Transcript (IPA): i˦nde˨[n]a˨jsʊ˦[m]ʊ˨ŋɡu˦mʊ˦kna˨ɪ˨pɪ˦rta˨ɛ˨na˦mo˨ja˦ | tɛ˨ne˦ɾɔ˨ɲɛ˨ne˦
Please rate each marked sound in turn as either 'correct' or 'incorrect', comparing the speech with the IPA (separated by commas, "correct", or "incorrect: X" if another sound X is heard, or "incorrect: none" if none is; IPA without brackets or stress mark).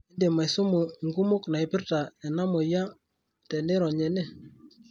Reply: incorrect: m, correct